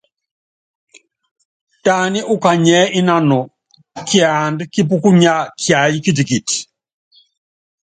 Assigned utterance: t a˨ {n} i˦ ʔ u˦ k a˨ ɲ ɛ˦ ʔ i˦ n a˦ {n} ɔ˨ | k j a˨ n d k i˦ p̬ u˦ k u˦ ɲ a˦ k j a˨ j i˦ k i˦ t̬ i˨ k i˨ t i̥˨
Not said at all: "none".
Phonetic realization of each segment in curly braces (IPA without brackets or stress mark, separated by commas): n, n